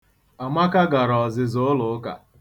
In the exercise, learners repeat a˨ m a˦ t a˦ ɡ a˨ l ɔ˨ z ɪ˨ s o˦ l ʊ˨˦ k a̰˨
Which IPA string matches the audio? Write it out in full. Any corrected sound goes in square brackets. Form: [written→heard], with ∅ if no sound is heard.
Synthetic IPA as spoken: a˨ m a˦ [t→k] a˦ ɡ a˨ [l→ɾ] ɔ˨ z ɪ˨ [s→z] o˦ l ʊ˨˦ k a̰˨

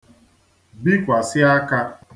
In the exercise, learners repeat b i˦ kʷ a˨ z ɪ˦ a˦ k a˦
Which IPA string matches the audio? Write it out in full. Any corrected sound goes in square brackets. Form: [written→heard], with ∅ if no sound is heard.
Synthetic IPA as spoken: b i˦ kʷ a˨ [z→s] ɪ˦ a˦ k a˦

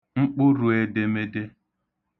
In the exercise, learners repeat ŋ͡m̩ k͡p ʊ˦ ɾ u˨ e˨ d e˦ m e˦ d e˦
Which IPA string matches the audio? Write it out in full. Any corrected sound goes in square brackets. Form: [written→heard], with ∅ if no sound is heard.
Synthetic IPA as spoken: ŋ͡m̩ k͡p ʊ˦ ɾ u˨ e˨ d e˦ m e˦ d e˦

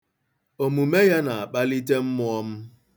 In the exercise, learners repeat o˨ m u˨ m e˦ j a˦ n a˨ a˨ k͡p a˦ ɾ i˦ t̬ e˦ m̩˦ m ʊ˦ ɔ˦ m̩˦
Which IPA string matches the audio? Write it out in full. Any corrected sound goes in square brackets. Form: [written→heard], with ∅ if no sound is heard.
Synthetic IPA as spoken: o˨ m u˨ m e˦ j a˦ n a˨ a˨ k͡p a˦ [ɾ→l] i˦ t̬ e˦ m̩˦ m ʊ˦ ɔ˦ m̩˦

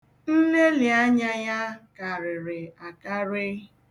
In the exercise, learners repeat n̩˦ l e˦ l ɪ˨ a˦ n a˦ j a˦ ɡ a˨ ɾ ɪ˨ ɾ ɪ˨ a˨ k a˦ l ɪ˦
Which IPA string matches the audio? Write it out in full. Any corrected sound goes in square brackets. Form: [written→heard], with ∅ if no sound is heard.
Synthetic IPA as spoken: n̩˦ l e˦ l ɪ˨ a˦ [n→ɲ] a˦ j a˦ [ɡ→k] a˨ ɾ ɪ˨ ɾ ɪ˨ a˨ k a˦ [l→ɾ] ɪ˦

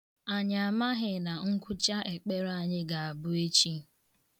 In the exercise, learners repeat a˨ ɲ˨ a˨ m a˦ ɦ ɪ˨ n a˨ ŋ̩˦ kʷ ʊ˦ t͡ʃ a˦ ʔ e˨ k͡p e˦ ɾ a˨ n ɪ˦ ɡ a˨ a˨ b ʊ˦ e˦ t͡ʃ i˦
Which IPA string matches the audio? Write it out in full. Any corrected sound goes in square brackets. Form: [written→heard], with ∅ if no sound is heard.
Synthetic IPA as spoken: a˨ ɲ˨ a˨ m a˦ ɦ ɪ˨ n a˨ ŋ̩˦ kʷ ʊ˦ t͡ʃ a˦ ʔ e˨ k͡p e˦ ɾ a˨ [n→ɲ] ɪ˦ ɡ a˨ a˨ b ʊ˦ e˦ t͡ʃ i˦

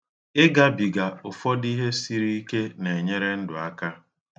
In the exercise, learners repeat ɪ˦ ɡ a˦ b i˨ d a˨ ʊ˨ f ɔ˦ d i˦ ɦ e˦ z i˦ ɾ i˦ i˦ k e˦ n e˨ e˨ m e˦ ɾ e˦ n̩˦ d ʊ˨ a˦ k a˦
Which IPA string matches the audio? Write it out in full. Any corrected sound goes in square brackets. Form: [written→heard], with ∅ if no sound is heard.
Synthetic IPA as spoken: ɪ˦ ɡ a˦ b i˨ [d→ɡ] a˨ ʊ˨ f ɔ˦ d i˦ ɦ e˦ [z→s] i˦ ɾ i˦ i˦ k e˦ n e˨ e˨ [m→ɲ] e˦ ɾ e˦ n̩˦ d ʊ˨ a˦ k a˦

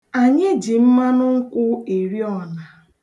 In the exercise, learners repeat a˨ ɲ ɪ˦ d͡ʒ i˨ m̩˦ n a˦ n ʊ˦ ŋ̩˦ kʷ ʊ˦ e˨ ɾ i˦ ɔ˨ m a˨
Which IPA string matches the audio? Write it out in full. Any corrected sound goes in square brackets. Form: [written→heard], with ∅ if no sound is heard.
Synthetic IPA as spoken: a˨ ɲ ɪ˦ d͡ʒ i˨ m̩˦ [n→m] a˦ n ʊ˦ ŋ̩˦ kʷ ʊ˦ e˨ ɾ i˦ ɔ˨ [m→n] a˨

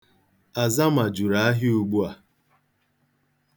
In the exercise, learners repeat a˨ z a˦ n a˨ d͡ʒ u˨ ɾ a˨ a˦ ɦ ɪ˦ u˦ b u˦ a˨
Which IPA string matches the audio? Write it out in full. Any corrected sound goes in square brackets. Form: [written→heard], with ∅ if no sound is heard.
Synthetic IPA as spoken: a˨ z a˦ [n→m] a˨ d͡ʒ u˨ ɾ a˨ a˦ ɦ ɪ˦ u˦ [b→ɡ͡b] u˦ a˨

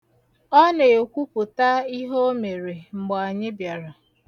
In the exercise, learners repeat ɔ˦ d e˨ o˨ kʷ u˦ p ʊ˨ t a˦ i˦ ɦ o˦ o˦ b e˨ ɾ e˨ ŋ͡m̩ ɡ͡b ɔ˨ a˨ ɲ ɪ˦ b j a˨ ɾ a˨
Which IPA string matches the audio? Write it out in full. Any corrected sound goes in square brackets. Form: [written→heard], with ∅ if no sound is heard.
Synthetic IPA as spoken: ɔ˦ [d→n] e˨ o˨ kʷ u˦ p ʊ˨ t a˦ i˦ ɦ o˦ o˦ [b→m] e˨ ɾ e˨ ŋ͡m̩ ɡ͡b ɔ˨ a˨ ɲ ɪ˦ b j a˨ ɾ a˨

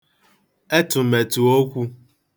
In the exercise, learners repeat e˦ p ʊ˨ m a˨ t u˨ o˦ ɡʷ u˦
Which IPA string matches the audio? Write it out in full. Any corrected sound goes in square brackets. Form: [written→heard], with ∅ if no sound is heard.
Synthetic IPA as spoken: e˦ [p→t] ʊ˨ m [a˨→e˨] t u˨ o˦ [ɡʷ→kʷ] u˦

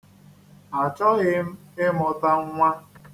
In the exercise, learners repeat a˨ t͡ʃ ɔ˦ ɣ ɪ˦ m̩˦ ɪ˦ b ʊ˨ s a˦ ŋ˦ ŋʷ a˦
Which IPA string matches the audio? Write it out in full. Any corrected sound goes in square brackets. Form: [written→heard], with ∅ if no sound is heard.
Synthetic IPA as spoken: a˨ t͡ʃ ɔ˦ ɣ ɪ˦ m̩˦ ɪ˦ [b→m] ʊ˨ [s→t] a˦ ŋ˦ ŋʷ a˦

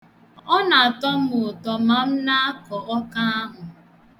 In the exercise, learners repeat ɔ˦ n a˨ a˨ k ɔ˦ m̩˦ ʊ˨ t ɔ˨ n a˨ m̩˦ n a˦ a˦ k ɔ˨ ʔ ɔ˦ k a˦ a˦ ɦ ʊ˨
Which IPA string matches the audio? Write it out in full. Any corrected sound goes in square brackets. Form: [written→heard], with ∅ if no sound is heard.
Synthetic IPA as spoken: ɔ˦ n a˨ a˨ [k→t] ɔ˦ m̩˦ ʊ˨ t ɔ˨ [n→m] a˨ m̩˦ n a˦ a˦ k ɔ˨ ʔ ɔ˦ k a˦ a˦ ɦ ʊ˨

